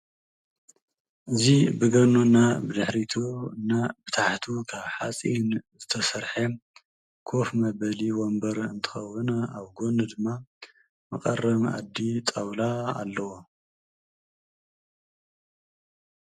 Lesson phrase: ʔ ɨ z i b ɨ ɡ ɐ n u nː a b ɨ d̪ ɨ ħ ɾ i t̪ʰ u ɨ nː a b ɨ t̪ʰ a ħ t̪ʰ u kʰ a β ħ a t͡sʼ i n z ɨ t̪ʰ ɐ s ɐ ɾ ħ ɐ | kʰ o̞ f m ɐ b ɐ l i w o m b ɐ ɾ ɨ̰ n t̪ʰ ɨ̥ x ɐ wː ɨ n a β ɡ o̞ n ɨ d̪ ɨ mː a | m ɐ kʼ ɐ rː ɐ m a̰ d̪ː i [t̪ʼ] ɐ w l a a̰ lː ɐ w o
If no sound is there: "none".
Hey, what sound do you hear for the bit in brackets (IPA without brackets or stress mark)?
t̪ʼ